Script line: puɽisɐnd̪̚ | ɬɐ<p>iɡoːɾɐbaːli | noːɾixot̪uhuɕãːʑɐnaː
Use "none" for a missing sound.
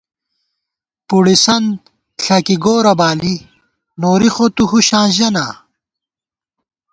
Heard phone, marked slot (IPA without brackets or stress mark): k